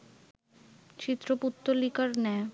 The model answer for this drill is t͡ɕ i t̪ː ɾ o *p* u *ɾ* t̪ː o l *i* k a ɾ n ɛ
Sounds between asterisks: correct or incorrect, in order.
correct, incorrect: none, correct

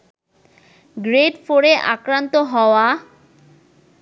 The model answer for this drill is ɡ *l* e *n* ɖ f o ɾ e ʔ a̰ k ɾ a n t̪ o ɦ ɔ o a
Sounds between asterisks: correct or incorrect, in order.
incorrect: ɾ, incorrect: none

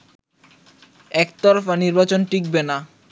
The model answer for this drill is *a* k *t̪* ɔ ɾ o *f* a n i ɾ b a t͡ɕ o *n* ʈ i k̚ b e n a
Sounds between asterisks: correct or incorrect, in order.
incorrect: ɛ, correct, correct, correct

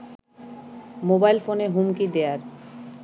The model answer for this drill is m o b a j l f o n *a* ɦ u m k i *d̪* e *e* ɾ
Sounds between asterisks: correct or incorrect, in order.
incorrect: e, correct, incorrect: a

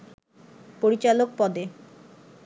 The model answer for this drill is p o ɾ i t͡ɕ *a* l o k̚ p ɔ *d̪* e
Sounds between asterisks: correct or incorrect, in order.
correct, correct

